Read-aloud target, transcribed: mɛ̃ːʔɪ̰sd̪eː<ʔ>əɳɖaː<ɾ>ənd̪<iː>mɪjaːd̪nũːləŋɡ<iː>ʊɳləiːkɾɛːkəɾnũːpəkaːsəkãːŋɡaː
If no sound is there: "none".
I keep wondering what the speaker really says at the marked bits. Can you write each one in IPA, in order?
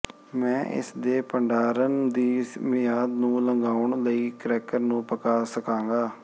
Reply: p, ɾ, iː, aː

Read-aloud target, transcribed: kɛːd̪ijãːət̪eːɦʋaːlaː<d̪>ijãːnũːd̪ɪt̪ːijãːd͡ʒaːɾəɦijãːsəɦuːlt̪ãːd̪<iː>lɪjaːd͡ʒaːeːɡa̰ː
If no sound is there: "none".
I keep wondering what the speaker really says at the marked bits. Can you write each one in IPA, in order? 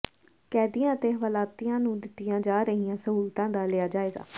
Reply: t̪, aː

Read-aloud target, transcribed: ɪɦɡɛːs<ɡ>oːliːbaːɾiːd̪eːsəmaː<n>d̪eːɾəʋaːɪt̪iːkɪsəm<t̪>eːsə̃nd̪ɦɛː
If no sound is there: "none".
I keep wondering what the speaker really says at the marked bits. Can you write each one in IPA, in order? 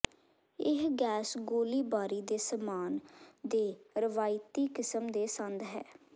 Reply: ɡ, n, d̪

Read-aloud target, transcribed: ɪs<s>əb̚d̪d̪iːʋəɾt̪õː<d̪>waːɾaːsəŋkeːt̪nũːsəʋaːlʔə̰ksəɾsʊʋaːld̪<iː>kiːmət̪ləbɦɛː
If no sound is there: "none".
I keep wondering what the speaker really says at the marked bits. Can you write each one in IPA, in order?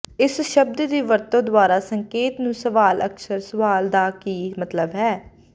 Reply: ʃ, d̪, aː

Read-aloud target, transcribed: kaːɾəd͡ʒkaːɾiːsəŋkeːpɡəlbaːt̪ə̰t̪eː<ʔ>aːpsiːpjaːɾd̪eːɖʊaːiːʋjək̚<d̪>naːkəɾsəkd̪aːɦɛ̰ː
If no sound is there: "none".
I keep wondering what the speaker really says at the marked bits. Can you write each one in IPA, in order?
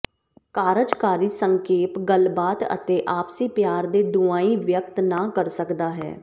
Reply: ʔ, t̪

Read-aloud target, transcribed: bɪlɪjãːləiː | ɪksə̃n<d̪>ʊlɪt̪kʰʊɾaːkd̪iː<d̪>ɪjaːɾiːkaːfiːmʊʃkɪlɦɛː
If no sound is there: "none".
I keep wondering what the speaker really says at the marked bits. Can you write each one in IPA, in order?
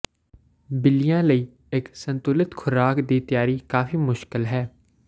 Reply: t̪, t̪

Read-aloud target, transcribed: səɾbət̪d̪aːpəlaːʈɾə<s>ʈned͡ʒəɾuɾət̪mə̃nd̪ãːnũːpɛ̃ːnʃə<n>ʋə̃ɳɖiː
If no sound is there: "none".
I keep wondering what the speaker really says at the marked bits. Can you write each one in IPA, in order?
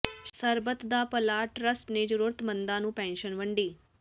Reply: s, n

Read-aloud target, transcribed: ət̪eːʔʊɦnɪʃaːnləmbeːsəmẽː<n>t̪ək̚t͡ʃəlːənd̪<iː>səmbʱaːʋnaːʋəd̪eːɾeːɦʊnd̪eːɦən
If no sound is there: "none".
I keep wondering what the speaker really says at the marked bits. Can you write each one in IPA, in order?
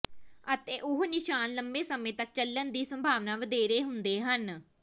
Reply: none, iː

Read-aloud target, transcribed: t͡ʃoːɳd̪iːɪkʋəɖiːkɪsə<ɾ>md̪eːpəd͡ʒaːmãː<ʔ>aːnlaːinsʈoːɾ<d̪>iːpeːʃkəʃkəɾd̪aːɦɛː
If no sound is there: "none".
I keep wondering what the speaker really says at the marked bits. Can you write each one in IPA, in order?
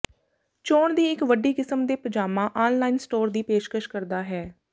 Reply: none, ʔ, d̪

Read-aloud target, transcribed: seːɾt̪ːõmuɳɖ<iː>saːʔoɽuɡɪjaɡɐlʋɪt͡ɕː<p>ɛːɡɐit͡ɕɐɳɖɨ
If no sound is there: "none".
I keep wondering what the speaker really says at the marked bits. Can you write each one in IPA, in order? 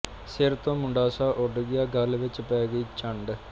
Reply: aː, p

